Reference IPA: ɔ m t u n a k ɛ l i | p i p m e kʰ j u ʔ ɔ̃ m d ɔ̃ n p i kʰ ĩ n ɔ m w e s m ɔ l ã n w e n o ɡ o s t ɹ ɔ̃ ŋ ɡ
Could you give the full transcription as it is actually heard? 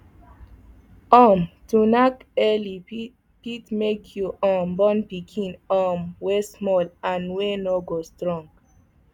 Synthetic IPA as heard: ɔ m t u n a k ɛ l i | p i t m e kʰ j u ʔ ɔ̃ m b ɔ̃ n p i kʰ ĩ n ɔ m w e s m ɔ l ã n w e n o ɡ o s t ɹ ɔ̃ ŋ ɡ